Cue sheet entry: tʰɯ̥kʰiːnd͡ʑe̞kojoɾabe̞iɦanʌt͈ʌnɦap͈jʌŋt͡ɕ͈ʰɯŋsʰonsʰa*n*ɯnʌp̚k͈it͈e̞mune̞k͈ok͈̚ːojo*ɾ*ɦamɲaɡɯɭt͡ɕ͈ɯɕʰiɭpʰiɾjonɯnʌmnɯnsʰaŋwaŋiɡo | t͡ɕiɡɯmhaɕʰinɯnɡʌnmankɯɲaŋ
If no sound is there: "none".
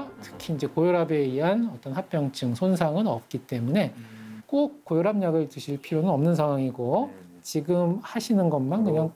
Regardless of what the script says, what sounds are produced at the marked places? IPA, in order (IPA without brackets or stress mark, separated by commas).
ŋ, ɾ